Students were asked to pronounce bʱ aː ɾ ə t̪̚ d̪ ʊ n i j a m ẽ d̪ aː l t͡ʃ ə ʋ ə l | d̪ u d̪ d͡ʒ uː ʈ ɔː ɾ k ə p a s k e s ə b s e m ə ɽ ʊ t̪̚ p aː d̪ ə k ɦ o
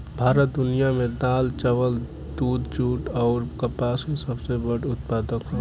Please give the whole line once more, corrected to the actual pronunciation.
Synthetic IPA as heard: bʱ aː ɾ ə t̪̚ d̪ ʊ n i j a m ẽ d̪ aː l t͡ʃ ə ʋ ə l | d̪ u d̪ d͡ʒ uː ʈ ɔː ɾ k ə p a s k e s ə b s e b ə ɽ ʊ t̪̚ p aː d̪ ə k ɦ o